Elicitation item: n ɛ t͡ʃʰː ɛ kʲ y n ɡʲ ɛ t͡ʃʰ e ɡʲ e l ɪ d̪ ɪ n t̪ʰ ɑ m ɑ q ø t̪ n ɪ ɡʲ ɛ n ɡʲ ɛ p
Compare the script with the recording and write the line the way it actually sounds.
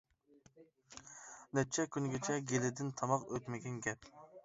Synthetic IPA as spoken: n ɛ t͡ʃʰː ɛ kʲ y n ɡʲ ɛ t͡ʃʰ ɛ ɡʲ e l ɪ d̪ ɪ n t̪ʰ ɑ m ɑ q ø t̪ m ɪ ɡʲ ɛ n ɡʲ ɛ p